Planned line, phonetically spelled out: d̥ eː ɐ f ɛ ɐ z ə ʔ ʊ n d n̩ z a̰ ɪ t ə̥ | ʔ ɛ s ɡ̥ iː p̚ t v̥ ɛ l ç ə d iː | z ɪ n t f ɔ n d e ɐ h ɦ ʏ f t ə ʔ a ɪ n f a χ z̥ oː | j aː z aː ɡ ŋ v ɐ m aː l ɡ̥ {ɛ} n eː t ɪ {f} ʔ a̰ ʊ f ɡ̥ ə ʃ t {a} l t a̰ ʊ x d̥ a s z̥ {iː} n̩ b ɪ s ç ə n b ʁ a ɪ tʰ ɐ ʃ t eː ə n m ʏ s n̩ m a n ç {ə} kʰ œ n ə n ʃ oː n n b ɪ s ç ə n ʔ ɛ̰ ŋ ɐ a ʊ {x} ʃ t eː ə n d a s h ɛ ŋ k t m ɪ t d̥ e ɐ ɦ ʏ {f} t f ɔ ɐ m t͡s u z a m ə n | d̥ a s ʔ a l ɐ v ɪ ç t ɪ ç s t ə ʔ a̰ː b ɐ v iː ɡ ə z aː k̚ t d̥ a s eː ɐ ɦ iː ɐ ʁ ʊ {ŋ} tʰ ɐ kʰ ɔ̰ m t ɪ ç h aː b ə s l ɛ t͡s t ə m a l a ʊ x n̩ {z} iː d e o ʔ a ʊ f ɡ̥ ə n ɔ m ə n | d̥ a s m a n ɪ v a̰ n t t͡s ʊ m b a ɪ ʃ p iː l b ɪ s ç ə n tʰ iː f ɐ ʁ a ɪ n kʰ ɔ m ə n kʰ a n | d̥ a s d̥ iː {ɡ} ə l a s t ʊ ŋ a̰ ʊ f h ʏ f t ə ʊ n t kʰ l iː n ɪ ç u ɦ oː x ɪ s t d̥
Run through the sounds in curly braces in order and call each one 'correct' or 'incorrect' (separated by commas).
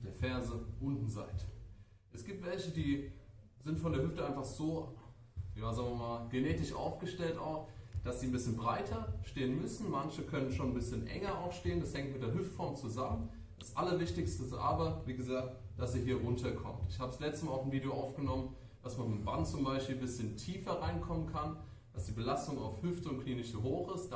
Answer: incorrect, incorrect, incorrect, correct, correct, correct, correct, incorrect, incorrect, incorrect